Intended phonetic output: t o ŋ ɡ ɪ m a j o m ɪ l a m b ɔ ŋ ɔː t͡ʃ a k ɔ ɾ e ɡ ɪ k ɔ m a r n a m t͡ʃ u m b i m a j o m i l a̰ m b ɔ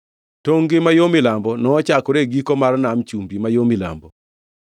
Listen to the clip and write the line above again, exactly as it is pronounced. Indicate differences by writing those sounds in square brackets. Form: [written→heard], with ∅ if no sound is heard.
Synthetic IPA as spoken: t o ŋ ɡ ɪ m a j o m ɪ l a m b ɔ [ŋ→n] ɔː t͡ʃ a k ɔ ɾ e ɡ [ɪ→i] k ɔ m a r n a m t͡ʃ u m b i m a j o m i l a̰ m b ɔ